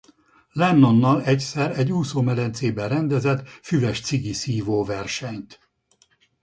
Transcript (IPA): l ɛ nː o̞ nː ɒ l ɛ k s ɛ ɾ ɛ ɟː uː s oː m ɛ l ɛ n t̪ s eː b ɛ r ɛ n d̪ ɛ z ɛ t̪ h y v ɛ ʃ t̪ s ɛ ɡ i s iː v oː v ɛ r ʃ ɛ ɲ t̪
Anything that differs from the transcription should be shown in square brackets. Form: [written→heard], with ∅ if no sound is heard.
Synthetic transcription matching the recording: l ɛ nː o̞ nː ɒ l ɛ [k→c] s ɛ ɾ ɛ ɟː uː s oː m ɛ l ɛ n t̪ s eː b ɛ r ɛ n d̪ ɛ z ɛ t̪ [h→f] y v ɛ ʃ t̪ s [ɛ→i] ɡ i s iː v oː v ɛ r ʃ ɛ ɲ t̪